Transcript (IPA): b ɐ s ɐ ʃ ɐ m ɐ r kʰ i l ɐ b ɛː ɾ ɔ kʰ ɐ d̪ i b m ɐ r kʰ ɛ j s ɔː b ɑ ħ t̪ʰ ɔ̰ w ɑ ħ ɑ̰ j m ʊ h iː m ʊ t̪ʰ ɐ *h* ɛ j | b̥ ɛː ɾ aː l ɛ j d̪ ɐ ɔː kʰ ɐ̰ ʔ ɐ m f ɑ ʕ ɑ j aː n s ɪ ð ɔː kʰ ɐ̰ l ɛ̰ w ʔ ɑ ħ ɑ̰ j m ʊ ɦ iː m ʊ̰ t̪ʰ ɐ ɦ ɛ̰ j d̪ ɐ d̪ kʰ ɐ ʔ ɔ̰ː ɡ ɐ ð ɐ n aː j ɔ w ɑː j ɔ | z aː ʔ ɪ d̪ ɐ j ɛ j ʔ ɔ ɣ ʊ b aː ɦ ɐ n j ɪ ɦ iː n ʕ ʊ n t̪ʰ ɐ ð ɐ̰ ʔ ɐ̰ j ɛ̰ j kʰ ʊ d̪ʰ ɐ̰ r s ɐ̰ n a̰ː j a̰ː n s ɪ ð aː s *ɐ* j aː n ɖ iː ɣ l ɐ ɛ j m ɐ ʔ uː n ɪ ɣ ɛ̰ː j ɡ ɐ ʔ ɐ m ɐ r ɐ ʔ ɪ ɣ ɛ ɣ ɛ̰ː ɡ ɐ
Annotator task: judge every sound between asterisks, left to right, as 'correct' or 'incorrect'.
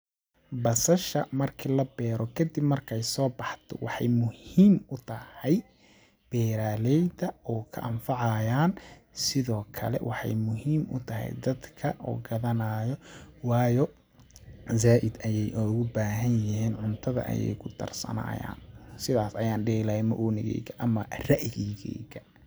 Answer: correct, correct

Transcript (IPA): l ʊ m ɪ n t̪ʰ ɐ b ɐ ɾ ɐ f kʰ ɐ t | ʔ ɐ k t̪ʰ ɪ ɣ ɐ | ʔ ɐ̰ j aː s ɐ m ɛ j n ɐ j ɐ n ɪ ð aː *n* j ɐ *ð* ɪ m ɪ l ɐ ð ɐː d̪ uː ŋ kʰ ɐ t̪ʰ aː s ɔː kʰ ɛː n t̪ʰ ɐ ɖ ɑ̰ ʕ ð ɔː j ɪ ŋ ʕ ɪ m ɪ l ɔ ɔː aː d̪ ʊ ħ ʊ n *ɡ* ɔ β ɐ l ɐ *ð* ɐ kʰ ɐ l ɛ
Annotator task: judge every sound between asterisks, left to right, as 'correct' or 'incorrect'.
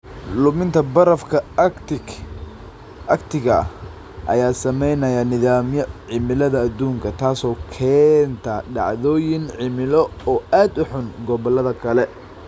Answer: incorrect: m, incorrect: ʕ, correct, correct

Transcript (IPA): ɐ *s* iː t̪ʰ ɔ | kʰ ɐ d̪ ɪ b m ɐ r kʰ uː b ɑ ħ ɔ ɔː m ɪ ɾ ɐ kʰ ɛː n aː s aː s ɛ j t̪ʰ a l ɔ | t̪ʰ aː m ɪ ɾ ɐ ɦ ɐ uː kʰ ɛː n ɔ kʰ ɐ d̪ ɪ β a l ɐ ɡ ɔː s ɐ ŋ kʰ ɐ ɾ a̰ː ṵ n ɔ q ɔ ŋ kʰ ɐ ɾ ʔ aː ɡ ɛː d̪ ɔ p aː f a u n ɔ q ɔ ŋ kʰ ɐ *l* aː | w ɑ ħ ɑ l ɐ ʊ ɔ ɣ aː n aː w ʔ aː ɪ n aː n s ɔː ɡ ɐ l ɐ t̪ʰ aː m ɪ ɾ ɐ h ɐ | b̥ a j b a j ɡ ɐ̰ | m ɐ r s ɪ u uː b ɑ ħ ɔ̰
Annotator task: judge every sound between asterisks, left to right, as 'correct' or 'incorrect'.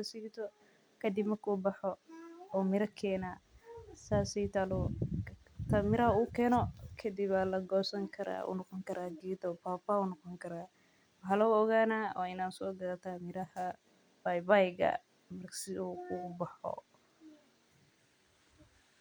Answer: correct, incorrect: ɾ

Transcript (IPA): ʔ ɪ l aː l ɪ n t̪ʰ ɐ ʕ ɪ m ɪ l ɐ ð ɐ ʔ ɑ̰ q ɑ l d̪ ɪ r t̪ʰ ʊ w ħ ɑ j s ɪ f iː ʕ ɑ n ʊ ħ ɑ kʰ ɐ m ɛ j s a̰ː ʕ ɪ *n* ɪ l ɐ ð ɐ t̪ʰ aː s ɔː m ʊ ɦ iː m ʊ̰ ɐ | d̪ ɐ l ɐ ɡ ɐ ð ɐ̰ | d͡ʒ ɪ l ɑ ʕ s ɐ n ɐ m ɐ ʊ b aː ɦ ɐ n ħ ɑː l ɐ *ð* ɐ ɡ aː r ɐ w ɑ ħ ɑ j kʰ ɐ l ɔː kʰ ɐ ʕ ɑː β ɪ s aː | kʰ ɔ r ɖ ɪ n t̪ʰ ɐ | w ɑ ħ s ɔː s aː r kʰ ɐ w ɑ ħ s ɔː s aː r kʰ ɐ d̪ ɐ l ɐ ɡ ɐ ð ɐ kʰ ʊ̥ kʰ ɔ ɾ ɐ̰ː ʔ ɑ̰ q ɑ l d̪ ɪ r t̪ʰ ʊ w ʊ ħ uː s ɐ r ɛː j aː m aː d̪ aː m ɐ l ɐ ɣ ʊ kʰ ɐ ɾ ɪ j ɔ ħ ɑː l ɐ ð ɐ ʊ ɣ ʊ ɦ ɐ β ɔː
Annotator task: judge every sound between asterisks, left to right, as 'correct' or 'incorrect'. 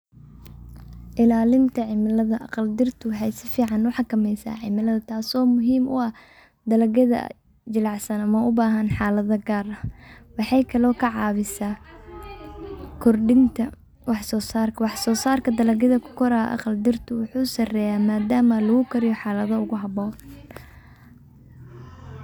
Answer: incorrect: m, correct

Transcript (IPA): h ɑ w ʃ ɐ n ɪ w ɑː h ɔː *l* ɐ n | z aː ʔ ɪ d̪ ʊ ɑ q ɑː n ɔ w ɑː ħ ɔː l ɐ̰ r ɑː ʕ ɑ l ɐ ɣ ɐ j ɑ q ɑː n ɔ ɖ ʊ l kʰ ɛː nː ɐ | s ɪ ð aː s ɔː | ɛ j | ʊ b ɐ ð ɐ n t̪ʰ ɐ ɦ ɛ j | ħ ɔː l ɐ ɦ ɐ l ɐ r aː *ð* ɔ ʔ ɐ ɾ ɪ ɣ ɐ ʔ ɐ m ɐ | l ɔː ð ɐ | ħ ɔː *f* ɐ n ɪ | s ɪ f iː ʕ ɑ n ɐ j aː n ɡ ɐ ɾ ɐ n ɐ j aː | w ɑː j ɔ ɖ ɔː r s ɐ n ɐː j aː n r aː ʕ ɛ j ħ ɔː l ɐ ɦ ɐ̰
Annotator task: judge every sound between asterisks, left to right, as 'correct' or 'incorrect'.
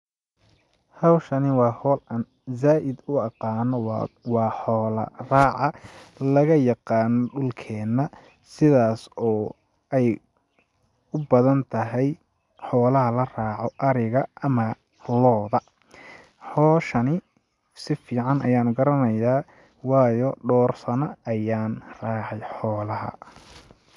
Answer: correct, incorrect: ʕ, incorrect: ʃ

